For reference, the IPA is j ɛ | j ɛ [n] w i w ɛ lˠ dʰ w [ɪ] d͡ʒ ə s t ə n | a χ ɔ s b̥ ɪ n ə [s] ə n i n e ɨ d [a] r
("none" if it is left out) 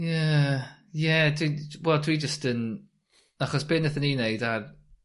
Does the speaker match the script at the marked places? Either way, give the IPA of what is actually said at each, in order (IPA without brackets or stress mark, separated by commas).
d, i, θ, a